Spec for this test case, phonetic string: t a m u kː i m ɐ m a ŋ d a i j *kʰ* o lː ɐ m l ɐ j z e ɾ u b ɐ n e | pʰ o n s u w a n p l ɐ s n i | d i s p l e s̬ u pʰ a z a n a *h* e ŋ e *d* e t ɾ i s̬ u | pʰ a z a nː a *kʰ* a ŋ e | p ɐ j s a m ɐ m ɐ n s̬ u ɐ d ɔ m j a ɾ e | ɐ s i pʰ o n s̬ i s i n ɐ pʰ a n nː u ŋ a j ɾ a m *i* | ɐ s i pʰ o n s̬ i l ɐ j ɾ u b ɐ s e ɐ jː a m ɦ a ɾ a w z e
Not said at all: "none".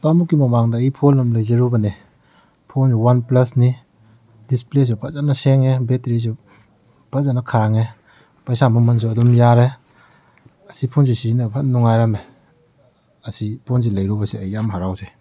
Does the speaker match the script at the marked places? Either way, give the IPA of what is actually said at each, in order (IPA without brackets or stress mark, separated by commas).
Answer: pʰ, s, b, kʰ, e